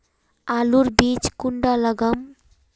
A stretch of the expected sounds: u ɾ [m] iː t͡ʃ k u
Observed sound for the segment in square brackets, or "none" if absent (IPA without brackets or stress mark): b